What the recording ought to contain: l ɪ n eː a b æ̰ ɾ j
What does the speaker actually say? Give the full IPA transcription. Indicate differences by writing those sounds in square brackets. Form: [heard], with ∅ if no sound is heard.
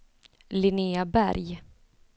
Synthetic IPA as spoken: l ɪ n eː a b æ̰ ɾ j